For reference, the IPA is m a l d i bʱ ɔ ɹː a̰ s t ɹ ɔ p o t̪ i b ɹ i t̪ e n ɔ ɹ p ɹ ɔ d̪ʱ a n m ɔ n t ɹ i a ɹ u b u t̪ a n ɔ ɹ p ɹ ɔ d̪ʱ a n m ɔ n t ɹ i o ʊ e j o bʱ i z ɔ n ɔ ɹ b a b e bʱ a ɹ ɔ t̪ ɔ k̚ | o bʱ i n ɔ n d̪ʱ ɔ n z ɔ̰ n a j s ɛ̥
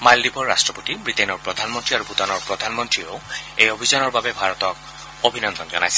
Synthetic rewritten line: m a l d i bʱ ɔ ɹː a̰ s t ɹ ɔ p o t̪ i b ɹ i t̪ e n ɔ ɹ p ɹ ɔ d̪ʱ a n m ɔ n t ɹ i a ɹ u b u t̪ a n ɔ ɹ p ɹ ɔ d̪ʱ a n m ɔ n t ɹ i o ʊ e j o bʱ i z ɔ n ɔ ɹ b a b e bʱ a ɹ ɔ t̪ ɔ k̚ | o bʱ i n ɔ n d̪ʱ ɔ n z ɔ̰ n a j s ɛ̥